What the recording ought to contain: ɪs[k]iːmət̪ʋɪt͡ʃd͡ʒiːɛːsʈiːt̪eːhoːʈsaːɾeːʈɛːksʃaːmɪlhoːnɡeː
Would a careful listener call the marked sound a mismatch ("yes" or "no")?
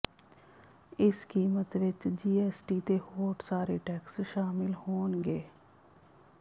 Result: no